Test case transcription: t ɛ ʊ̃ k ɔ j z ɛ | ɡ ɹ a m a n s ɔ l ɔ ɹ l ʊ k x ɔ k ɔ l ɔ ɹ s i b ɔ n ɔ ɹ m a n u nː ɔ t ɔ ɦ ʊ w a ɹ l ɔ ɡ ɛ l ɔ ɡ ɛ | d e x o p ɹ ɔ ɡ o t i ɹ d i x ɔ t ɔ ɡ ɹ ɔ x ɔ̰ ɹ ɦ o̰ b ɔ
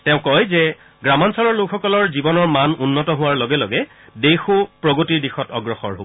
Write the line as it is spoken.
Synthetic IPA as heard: t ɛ ʊ̃ k ɔ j z ɛ | ɡ ɹ a m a n s ɔ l ɔ ɹ l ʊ k x ɔ k ɔ l ɔ ɹ z i b ɔ n ɔ ɹ m a n u nː ɔ t ɔ ɦ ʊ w a ɹ l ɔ ɡ ɛ l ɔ ɡ ɛ | d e x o p ɹ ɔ ɡ o t i ɹ d i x ɔ t ɔ ɡ ɹ ɔ x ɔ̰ ɹ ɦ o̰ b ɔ